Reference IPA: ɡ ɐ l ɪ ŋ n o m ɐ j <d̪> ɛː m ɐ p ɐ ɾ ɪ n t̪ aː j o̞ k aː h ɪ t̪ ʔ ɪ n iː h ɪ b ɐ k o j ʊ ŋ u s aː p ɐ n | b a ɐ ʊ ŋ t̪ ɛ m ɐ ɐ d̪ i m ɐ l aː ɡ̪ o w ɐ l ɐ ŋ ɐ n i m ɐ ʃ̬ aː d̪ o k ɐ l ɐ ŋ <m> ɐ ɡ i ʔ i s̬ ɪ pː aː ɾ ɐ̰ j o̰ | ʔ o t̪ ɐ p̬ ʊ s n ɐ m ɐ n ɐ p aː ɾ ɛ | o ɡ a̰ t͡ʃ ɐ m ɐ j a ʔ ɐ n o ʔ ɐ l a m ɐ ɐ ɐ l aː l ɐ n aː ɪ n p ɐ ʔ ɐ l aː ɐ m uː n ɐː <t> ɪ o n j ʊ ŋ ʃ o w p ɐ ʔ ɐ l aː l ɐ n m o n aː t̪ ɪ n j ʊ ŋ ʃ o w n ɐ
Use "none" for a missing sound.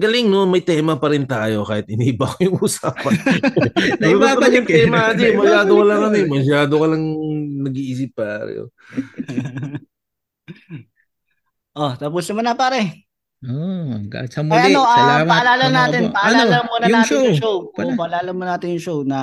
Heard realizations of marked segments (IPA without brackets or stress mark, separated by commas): t̪, n, t